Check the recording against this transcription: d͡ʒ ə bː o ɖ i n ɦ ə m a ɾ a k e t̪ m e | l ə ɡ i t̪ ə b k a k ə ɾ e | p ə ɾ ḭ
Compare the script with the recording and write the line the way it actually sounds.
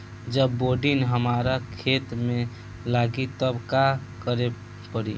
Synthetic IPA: d͡ʒ ə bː o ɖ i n ɦ ə m a ɾ a kʰ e t̪ m e | l a ɡ i t̪ ə b k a k ə ɾ e | p ə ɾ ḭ